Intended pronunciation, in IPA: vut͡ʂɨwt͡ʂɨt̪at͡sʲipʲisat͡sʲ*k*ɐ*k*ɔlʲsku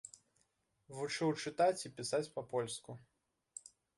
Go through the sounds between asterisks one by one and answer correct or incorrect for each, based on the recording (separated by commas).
incorrect, incorrect